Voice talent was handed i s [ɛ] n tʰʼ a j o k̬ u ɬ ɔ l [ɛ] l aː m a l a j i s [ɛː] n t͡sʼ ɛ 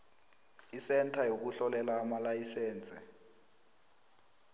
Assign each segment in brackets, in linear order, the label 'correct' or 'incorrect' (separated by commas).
correct, correct, correct